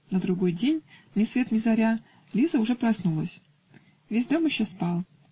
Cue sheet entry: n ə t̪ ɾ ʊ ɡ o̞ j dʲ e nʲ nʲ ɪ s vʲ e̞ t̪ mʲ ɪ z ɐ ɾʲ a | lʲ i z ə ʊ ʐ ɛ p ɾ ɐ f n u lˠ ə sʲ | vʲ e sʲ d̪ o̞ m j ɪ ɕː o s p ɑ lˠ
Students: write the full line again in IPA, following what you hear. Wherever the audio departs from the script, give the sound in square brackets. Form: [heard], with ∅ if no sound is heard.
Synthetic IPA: n ə [d̪] ɾ ʊ ɡ o̞ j dʲ e nʲ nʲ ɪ s vʲ e̞ t̪ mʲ ɪ z ɐ ɾʲ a | lʲ i z ə ʊ ʐ ɛ p ɾ ɐ [s] n u lˠ ə sʲ | vʲ e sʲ d̪ o̞ m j ɪ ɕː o s p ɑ lˠ

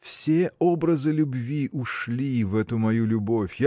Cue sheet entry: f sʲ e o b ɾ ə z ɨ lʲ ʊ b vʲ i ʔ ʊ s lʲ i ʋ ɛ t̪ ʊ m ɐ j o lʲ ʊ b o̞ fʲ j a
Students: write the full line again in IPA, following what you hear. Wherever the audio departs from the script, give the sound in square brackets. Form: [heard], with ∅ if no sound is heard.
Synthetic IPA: f sʲ e o b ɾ ə z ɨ lʲ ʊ b vʲ i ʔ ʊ [ʂ] lʲ i [v] ɛ t̪ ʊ m ɐ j [u] lʲ ʊ b o̞ fʲ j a

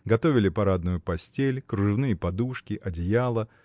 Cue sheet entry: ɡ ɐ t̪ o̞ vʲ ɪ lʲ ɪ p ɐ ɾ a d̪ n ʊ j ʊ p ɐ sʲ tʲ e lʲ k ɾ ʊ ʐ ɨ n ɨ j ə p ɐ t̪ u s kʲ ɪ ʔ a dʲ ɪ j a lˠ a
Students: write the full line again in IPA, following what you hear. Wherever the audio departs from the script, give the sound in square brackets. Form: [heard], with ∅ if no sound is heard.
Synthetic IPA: ɡ ɐ t̪ o̞ vʲ ɪ lʲ ɪ p ɐ ɾ a d̪ n ʊ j ʊ p ɐ sʲ tʲ e lʲ k ɾ ʊ ʐ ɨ n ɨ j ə p ɐ [d̪] u [ʂ] kʲ ɪ ʔ [ɐ] dʲ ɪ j a lˠ [ə]

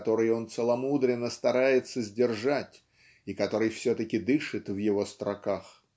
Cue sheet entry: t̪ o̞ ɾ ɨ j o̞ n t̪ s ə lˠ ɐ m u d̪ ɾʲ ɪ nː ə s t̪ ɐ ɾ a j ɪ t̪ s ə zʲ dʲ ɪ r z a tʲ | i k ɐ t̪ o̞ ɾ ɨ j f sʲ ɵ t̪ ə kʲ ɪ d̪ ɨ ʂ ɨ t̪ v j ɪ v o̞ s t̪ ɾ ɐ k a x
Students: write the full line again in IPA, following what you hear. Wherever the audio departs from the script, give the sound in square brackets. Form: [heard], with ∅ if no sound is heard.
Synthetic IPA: t̪ o̞ ɾ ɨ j o̞ n t̪ s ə lˠ ɐ m u d̪ ɾʲ ɪ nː ə s t̪ ɐ ɾ a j ɪ t̪ s ə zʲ dʲ ɪ r [ʐ] a tʲ | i k ɐ t̪ o̞ ɾ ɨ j f sʲ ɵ t̪ ə kʲ ɪ d̪ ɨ ʂ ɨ t̪ v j ɪ v o̞ s t̪ ɾ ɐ k a x

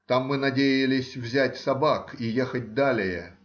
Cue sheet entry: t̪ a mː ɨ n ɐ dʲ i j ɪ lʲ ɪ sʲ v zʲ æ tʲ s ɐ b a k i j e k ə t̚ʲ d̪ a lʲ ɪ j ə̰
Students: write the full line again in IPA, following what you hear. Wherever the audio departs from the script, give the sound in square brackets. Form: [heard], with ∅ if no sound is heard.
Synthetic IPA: t̪ a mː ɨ n ɐ dʲ [e] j ɪ lʲ ɪ sʲ v zʲ æ tʲ s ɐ b a k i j e [x] ə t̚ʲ d̪ a lʲ ɪ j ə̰

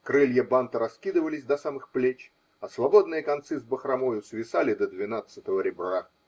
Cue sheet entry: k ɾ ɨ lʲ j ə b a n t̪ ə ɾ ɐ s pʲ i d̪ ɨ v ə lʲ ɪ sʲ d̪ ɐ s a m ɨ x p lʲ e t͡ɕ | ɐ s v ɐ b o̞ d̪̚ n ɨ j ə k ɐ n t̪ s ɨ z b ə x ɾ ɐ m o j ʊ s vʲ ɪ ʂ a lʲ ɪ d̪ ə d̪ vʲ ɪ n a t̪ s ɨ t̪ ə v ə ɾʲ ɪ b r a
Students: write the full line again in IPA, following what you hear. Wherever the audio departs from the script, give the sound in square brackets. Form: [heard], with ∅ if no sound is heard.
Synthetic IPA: k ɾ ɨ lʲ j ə b a n t̪ ə ɾ ɐ s [kʲ] i d̪ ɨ v ə lʲ ɪ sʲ d̪ ɐ s a m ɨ x p lʲ e t͡ɕ | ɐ s v ɐ b o̞ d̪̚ n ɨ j ə k ɐ n t̪ s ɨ z b ə x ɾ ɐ m o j ʊ s vʲ ɪ [s] a lʲ ɪ d̪ ə d̪ vʲ ɪ n a t̪ s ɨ t̪ ə v ə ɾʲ ɪ b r a

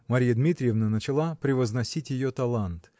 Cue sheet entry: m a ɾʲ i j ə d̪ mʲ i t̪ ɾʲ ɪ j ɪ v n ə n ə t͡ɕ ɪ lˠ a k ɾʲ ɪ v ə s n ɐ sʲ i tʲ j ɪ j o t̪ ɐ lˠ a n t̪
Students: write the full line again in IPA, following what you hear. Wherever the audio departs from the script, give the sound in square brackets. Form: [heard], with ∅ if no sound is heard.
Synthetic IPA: m [ɐ] ɾʲ i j ə d̪ mʲ i t̪ ɾʲ ɪ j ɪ v n ə n ə t͡ɕ ɪ lˠ a [p] ɾʲ ɪ v ə [z] n ɐ sʲ i tʲ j ɪ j o t̪ ɐ lˠ a n t̪

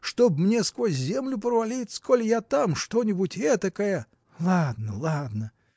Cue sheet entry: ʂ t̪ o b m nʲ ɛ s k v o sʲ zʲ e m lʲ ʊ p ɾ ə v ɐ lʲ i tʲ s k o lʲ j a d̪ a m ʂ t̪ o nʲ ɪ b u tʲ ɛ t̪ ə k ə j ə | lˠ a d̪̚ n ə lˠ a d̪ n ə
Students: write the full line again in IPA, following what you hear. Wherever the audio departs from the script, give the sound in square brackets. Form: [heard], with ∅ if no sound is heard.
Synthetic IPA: ʂ t̪ o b m nʲ [e] s k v o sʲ zʲ e m lʲ ʊ p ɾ ə v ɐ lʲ i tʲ s k o lʲ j a [t̪] a m ʂ t̪ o nʲ ɪ b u tʲ ɛ t̪ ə k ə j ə | lˠ a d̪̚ n ə lˠ a d̪ n ə

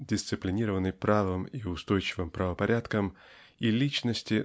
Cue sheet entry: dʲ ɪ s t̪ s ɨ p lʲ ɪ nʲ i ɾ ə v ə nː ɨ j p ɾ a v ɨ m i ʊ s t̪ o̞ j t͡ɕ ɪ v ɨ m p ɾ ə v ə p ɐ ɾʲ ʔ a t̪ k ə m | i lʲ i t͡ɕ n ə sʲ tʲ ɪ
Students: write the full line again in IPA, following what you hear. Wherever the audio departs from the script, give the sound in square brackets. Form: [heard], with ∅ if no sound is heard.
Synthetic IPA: dʲ ɪ s t̪ s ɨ p lʲ ɪ nʲ i ɾ ə v ə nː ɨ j p ɾ a v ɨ m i ʊ s t̪ o̞ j t͡ɕ ɪ v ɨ m p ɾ ə v ə p ɐ ɾʲ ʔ a t̪ k ə m | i lʲ i t͡ɕ n ə sʲ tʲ ɪ

